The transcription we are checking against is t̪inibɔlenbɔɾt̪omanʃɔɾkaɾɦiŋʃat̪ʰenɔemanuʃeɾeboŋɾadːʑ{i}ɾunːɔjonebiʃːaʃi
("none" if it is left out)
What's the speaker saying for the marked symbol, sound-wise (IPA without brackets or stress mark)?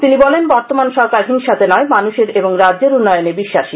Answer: e